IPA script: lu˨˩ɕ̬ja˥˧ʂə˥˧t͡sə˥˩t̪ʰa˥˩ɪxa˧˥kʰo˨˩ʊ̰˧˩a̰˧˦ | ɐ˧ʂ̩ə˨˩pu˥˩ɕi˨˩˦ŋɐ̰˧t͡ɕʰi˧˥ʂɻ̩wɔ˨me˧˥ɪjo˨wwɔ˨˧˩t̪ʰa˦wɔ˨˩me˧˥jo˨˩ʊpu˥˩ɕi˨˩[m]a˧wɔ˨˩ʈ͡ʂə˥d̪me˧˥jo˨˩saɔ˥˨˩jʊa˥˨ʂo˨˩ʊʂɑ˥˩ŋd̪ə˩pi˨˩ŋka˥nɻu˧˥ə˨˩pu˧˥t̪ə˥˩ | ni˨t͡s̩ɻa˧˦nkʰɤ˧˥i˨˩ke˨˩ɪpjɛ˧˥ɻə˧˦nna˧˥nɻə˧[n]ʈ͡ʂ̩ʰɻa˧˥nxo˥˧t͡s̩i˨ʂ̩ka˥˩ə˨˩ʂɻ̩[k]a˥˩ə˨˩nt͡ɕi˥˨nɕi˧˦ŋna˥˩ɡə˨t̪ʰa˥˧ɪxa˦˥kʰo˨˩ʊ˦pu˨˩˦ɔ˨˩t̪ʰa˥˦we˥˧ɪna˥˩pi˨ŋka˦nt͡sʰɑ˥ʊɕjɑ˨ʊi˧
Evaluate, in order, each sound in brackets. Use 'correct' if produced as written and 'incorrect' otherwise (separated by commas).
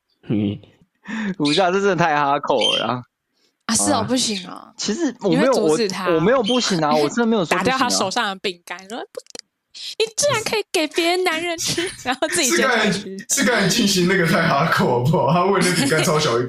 incorrect, correct, correct